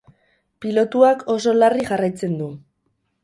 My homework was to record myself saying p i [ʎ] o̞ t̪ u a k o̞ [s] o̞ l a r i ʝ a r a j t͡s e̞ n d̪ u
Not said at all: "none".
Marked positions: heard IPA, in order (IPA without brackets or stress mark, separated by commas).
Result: l, s